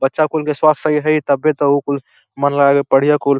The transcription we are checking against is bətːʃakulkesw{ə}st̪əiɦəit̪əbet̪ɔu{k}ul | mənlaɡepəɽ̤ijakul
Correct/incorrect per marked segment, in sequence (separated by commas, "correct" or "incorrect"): incorrect, correct